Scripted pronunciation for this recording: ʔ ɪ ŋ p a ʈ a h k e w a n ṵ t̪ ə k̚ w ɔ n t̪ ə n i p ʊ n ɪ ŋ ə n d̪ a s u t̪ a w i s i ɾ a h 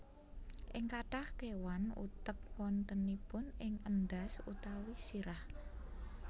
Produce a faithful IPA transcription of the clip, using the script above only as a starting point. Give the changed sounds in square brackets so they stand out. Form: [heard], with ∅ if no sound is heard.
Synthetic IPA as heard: ʔ ɪ ŋ [k] a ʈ a h k e w a n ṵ t̪ ə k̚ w ɔ n t̪ ə n i p ʊ n ɪ ŋ ə n d̪ a s u t̪ a w i s i ɾ a h